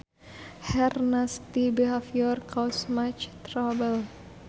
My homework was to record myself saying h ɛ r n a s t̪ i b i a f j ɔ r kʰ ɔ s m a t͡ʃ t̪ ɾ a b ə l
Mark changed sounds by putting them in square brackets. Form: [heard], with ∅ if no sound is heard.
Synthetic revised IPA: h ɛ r n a s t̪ i b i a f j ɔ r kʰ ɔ s m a t͡ʃ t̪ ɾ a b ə l